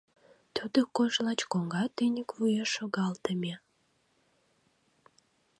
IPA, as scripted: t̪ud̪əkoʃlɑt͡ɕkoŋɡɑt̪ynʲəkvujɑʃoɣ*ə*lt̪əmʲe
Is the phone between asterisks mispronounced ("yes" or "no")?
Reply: yes